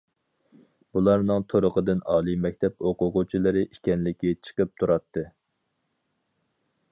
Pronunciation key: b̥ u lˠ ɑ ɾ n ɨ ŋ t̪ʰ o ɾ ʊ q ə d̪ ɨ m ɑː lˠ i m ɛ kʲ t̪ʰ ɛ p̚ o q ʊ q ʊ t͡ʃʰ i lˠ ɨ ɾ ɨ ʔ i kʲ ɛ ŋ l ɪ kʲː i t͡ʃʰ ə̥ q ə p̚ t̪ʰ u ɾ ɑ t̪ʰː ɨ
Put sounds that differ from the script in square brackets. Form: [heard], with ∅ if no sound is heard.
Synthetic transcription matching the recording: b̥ u lˠ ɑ ɾ n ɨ ŋ t̪ʰ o ɾ ʊ q ə d̪ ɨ [n] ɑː lˠ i m ɛ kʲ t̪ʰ ɛ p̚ o q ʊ q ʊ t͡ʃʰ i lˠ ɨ ɾ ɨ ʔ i kʲ ɛ [n] l ɪ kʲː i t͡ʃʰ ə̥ q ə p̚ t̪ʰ u ɾ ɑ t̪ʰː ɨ